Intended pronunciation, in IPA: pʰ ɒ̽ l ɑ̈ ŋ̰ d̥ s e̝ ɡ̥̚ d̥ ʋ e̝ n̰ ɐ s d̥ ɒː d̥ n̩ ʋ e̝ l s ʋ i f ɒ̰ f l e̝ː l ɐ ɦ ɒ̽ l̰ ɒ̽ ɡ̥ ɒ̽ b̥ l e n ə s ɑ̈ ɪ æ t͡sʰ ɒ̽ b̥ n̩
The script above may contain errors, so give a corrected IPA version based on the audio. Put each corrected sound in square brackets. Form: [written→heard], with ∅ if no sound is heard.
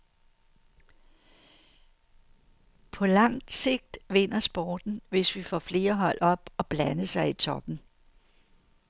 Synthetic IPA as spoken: pʰ ɒ̽ l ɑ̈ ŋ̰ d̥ s e̝ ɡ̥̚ d̥ ʋ e̝ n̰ ɐ s [d̥→b̥] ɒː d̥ n̩ ʋ e̝ [l→∅] s ʋ i f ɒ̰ f l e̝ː [l→∅] ɐ ɦ ɒ̽ l̰ ɒ̽ [ɡ̥→b̥] ɒ̽ b̥ l [e→æ] n ə s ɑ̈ ɪ [æ→i] t͡sʰ ɒ̽ b̥ n̩